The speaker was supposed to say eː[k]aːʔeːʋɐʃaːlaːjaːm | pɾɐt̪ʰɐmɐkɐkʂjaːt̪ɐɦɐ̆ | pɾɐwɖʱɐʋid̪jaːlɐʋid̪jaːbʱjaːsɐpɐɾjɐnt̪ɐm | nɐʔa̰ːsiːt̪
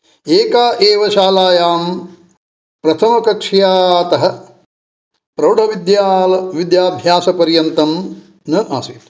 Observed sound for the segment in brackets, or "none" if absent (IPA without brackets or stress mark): k